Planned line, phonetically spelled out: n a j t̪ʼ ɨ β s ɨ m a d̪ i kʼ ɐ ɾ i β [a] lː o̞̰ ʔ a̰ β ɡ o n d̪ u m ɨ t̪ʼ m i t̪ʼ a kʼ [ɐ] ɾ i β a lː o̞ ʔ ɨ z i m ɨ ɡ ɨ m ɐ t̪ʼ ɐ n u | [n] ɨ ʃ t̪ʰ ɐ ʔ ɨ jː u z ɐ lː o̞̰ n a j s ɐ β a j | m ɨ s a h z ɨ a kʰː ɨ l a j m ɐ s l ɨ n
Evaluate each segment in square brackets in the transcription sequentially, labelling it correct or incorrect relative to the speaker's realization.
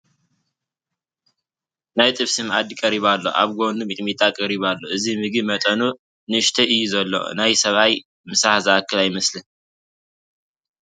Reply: correct, correct, correct

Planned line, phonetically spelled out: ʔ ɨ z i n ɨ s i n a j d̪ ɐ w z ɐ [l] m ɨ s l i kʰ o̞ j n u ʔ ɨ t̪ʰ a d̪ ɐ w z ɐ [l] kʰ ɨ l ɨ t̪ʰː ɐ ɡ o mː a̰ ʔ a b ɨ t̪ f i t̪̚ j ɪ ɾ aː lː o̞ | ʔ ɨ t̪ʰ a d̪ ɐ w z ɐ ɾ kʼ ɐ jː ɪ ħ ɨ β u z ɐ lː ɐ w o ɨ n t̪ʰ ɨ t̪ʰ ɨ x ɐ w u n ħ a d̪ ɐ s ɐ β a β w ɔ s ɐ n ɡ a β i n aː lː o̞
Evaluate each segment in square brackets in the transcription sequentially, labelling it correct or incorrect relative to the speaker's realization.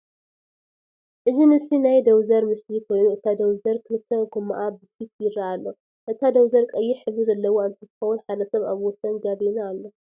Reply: incorrect, incorrect

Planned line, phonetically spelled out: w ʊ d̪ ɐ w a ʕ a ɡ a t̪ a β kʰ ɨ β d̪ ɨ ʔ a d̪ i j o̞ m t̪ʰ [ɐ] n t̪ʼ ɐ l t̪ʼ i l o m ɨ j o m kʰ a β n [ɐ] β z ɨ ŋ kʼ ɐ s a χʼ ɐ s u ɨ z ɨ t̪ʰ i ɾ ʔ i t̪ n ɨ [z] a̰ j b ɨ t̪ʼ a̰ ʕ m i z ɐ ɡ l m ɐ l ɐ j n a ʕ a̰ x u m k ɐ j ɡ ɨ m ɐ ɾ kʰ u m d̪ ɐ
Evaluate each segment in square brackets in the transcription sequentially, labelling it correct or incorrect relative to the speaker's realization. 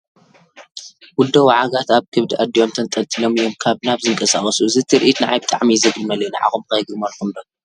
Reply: correct, incorrect, incorrect

